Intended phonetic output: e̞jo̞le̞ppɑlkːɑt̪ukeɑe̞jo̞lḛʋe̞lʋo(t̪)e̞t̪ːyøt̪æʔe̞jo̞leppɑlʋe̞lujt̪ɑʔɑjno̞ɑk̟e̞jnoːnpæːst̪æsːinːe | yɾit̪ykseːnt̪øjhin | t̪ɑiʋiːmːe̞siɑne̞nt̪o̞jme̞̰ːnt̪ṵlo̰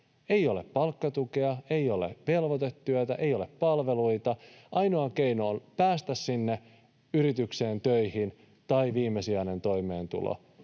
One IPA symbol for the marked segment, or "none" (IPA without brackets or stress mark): t̪